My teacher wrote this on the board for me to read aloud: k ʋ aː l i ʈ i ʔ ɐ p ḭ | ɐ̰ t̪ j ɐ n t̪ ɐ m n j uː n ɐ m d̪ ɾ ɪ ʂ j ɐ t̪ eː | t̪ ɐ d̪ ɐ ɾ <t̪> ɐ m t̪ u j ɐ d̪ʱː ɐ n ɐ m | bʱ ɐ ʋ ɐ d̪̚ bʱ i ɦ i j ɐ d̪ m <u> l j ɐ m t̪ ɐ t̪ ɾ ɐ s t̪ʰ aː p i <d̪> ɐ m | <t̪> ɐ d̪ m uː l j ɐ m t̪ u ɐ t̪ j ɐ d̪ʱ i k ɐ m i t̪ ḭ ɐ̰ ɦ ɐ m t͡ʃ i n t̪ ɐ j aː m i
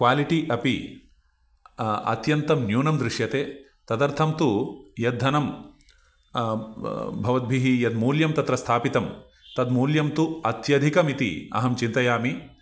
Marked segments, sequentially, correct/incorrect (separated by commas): incorrect, incorrect, incorrect, correct